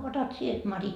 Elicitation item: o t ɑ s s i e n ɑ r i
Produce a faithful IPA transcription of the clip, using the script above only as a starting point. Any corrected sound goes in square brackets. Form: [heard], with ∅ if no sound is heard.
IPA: o t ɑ [t] s i e [m] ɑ r i